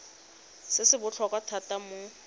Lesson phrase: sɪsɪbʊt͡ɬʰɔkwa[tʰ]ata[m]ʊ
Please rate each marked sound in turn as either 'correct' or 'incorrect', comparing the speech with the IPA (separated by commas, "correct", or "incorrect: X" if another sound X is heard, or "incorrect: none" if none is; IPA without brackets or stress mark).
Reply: correct, correct